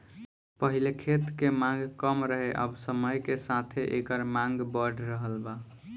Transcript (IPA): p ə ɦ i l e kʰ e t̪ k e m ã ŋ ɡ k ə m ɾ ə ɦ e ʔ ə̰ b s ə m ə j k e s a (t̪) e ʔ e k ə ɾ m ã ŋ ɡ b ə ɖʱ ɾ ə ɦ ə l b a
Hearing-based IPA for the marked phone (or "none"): t̪ʰ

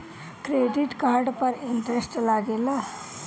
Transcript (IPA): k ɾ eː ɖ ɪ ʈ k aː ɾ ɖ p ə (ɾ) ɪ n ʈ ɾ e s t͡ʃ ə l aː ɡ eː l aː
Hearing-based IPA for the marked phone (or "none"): ɾ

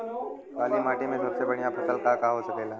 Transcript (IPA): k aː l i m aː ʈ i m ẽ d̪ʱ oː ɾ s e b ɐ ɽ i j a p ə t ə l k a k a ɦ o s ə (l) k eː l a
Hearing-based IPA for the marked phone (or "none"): none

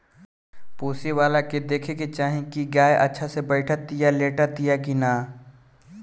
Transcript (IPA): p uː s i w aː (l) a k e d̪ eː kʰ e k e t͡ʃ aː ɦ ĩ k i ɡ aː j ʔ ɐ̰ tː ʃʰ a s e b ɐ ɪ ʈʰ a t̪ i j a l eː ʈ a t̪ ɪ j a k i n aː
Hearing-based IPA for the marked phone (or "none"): l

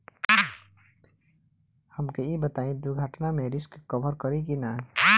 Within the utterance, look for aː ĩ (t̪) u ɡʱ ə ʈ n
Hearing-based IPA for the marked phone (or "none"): d̪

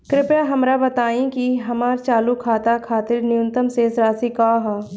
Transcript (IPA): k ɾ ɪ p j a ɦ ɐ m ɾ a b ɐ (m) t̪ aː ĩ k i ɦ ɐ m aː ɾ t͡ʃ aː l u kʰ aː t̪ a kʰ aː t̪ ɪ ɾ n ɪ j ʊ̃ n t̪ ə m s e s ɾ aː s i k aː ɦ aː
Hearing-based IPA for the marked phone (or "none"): none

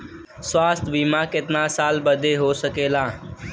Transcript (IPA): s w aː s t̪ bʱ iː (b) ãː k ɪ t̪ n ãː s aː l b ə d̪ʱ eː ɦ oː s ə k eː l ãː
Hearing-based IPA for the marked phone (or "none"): m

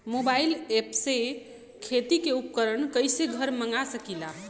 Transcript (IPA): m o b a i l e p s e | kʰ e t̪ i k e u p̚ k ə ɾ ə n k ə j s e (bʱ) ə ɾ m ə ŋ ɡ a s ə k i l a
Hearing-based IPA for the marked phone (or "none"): ɡʱ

